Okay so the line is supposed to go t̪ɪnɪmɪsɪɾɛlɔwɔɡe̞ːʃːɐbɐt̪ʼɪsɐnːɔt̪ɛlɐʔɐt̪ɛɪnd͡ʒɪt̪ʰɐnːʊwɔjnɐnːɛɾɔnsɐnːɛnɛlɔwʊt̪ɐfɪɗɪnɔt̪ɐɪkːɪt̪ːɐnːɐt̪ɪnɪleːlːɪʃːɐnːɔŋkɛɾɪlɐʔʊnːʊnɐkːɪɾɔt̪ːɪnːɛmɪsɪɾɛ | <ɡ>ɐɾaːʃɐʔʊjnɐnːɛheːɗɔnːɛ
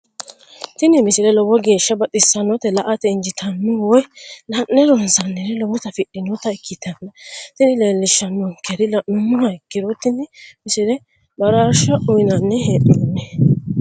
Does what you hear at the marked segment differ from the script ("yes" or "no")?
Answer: yes